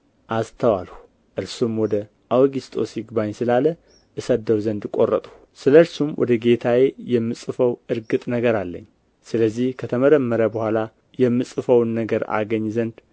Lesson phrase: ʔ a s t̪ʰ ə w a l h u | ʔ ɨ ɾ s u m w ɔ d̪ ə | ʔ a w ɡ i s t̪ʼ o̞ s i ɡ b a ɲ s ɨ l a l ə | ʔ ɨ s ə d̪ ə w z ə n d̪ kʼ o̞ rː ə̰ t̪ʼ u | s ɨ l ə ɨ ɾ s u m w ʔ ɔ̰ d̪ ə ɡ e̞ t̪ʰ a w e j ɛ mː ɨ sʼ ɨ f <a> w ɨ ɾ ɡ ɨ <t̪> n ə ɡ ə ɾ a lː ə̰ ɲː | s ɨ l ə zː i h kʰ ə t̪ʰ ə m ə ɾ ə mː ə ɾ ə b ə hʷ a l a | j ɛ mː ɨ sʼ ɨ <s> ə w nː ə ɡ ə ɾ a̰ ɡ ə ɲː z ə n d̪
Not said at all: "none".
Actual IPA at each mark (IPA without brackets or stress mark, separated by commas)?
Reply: ə, t̪ʼ, f